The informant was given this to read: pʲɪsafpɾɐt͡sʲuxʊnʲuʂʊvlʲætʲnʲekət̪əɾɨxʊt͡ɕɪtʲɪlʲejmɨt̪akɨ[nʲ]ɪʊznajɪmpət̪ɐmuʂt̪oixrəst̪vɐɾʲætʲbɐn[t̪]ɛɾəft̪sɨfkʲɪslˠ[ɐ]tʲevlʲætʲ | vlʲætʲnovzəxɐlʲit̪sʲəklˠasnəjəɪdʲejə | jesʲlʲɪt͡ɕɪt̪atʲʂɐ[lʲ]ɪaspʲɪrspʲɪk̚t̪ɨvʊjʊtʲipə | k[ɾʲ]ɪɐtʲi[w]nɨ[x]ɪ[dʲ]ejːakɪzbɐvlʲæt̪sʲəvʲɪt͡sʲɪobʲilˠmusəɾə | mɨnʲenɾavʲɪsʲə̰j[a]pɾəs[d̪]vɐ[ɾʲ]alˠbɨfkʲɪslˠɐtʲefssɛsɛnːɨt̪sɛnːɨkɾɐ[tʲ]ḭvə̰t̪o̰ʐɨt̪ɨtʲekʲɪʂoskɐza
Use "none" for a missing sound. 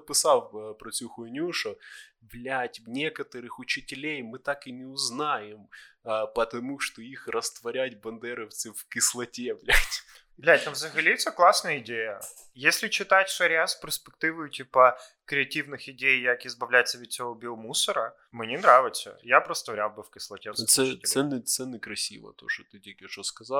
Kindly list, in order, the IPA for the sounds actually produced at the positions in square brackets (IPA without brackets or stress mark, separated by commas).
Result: nʲ, d̪, ɐ, ɾʲ, ɾʲ, v, x, dʲ, a, t̪, ɾʲ, sʲ